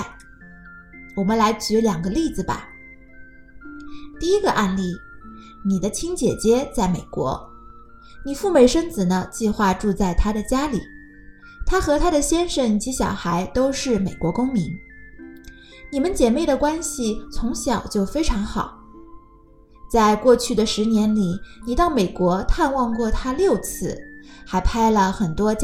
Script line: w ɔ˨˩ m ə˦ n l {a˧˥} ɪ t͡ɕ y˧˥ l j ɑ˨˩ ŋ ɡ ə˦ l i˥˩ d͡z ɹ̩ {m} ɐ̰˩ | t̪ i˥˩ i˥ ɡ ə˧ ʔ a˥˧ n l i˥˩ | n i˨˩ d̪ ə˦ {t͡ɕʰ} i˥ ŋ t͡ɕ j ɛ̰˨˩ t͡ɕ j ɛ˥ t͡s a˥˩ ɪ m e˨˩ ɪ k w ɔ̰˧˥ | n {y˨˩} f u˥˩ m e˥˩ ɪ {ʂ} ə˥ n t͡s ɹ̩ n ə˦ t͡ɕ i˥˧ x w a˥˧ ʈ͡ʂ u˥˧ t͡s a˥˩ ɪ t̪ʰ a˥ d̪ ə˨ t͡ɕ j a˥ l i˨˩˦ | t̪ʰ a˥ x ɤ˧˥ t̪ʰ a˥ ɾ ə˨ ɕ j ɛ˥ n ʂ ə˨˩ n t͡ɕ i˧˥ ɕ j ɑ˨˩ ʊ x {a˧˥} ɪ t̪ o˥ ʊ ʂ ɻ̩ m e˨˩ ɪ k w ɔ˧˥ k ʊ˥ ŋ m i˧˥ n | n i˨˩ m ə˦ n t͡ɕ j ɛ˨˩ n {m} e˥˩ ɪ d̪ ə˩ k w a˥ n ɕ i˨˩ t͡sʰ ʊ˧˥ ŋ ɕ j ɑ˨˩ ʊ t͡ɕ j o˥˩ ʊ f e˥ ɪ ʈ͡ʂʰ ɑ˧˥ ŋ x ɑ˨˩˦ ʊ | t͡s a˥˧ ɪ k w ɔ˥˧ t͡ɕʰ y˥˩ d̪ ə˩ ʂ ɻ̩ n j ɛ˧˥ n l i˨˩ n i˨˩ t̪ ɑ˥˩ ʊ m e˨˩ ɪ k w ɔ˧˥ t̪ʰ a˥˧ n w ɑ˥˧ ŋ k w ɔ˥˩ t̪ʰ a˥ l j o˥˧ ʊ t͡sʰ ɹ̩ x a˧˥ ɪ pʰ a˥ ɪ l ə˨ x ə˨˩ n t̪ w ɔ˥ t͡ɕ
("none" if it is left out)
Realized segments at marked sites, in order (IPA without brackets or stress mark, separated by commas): a˧˥, b, t͡ɕʰ, i˨˩, ʂ, a˧˥, m